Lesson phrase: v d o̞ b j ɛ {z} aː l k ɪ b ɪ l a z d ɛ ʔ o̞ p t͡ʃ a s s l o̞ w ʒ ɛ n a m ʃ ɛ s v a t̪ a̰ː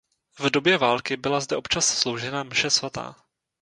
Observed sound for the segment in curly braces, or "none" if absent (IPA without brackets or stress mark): v